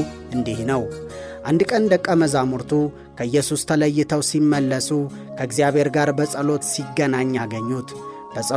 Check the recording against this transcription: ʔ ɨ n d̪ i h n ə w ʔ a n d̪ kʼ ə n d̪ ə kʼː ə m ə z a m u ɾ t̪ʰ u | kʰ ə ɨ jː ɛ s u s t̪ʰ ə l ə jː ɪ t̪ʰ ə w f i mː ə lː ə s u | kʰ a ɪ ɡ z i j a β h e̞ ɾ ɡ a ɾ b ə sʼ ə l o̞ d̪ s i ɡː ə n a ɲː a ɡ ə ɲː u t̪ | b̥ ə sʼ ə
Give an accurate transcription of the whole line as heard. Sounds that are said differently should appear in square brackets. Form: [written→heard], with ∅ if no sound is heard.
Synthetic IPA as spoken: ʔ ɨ n d̪ i h n ə w ʔ a n d̪ kʼ ə n d̪ ə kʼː ə m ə z a m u ɾ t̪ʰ u | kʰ ə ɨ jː ɛ s u s t̪ʰ ə l ə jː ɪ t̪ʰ ə w [f→s] i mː ə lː ə s u | kʰ [a→ə] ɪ ɡ z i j a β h e̞ ɾ ɡ a ɾ b ə sʼ ə l o̞ [d̪→t̪] s i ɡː ə n a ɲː a ɡ ə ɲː u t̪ | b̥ ə sʼ ə